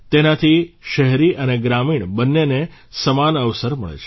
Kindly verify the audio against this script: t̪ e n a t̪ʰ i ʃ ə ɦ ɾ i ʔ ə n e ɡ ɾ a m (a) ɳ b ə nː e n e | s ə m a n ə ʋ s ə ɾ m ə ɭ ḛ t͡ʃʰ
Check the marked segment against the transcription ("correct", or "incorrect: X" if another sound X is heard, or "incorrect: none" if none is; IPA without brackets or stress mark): incorrect: i